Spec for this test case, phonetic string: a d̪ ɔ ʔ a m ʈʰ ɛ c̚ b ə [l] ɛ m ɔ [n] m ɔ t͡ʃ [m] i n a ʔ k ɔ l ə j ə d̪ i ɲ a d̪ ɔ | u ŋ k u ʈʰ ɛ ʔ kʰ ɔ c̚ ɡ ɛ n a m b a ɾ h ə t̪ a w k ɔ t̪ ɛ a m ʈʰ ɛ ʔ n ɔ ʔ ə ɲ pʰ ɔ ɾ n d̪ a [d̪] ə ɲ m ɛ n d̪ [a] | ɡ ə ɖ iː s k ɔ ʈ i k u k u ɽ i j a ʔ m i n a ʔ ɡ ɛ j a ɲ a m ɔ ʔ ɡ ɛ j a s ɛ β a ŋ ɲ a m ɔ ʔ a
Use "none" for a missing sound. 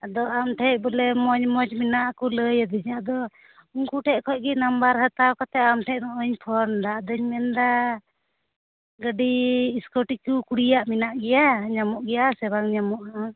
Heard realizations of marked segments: l, ɲ, m, d̪, a

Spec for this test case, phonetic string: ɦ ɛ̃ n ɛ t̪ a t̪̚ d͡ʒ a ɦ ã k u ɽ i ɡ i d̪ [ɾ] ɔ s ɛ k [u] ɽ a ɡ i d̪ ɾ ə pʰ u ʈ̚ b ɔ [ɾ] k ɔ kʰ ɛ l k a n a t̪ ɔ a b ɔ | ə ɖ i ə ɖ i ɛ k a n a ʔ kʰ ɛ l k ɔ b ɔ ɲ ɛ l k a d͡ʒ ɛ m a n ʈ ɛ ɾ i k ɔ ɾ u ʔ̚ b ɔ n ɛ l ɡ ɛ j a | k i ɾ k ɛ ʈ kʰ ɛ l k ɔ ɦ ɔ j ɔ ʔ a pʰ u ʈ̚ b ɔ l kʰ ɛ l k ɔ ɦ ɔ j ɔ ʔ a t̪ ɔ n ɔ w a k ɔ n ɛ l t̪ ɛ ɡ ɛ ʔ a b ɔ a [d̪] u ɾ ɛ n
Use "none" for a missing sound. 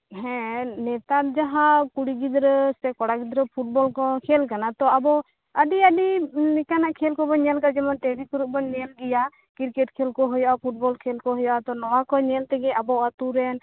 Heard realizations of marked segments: ɾ, ɔ, l, t̪

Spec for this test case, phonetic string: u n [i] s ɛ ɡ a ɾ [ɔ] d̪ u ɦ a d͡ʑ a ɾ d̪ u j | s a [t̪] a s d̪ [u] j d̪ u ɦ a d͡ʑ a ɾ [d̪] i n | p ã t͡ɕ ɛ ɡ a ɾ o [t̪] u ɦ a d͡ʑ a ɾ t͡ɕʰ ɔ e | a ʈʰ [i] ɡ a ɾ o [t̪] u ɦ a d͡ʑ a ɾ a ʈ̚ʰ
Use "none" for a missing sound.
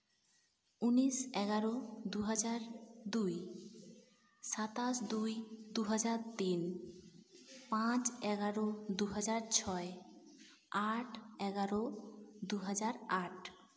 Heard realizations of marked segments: i, o, t̪, u, t̪, d̪, ɛ, d̪

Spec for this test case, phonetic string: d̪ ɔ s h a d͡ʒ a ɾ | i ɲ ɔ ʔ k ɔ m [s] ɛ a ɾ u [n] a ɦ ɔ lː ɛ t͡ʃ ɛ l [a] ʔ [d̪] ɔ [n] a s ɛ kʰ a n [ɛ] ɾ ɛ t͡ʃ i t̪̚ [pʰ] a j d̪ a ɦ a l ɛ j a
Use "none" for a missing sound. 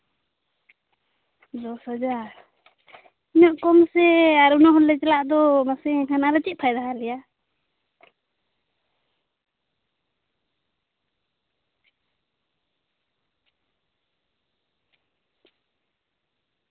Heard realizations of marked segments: s, n, a, d̪, m, a, pʰ

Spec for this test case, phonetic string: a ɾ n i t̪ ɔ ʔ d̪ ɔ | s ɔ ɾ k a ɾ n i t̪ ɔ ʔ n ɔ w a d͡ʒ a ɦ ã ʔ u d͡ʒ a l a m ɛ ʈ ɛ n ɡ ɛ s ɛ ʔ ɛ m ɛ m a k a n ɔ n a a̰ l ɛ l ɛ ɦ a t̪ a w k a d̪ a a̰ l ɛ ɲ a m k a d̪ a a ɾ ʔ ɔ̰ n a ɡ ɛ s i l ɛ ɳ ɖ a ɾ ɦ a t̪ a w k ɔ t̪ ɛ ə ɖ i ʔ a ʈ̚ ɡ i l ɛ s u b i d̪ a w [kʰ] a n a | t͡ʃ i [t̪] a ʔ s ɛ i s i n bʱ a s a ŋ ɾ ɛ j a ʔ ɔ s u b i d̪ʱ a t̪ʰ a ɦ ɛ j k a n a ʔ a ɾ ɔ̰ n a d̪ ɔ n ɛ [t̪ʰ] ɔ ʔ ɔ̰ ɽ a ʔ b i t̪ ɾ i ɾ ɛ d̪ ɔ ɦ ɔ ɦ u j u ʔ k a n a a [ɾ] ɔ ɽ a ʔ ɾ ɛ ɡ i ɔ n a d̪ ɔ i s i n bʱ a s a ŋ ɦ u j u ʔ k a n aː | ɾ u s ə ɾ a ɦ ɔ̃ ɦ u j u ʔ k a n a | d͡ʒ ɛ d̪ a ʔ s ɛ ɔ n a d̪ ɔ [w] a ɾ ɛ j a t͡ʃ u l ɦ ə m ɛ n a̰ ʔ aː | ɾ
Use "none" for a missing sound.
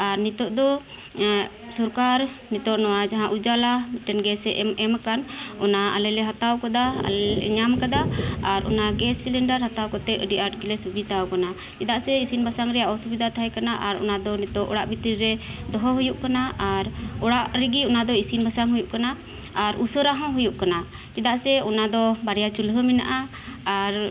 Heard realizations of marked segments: k, d̪, t̪, ɾ, b

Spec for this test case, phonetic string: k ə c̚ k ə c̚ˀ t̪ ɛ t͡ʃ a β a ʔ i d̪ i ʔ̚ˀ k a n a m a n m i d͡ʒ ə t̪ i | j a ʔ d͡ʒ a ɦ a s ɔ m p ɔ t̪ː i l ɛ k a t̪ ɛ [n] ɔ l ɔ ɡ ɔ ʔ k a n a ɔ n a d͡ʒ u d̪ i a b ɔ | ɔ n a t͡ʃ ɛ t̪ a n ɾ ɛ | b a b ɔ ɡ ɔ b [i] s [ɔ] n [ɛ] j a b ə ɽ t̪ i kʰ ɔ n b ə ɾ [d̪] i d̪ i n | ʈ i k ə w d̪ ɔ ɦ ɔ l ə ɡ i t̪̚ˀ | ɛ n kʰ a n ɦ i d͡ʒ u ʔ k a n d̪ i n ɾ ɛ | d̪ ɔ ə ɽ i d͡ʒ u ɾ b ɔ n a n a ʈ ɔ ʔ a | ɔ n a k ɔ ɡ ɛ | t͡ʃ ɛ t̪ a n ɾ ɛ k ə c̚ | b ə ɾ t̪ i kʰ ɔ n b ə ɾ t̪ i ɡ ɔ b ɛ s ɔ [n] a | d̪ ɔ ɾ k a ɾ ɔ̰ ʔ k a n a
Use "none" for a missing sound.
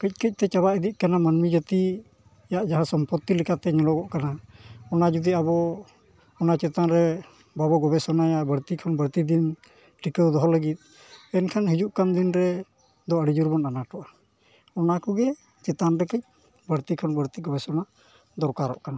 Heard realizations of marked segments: ɲ, ɛ, ɔ, a, t̪, n

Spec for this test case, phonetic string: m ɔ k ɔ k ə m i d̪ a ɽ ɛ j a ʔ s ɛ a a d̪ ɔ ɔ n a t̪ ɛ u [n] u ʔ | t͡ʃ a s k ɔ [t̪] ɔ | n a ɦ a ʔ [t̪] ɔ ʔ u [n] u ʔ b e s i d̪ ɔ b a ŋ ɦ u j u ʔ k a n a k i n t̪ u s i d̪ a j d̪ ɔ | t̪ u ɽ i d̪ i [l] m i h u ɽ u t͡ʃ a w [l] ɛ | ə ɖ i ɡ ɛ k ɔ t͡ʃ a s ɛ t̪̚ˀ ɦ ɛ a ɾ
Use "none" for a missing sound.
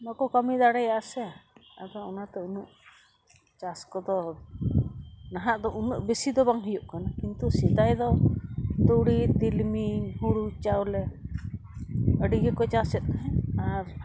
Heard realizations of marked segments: n, d̪, d̪, n, l, l

